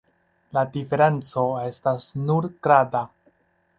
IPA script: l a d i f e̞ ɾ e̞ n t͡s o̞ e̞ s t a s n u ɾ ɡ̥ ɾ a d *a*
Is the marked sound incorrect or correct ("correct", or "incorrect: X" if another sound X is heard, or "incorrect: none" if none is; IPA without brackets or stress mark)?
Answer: correct